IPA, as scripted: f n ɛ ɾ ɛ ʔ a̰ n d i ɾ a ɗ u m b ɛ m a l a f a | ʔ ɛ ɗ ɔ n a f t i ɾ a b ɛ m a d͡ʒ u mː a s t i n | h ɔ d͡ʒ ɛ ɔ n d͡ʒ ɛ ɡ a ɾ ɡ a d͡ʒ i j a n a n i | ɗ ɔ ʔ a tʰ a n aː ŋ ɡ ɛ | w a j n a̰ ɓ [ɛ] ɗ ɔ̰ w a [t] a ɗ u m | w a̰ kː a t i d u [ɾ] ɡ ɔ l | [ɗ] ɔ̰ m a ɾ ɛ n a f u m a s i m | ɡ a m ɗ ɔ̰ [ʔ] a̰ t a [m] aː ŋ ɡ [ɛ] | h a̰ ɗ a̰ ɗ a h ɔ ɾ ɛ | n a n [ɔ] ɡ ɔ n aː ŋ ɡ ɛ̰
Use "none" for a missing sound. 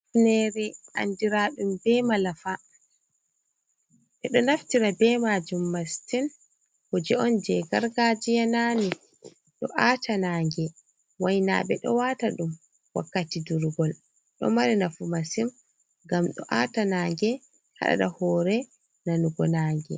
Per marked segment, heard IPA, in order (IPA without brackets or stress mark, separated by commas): ɛ, t, ɾ, ɗ, ʔ, n, ɛ, u